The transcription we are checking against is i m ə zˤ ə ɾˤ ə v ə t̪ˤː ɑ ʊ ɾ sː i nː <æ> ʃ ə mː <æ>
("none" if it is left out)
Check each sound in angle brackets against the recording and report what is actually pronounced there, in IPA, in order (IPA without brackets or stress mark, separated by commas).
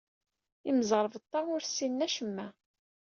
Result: æ, æ